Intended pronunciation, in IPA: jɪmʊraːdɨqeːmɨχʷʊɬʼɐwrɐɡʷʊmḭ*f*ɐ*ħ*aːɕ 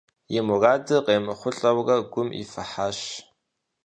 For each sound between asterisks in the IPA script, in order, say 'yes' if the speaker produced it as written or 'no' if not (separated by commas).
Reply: yes, yes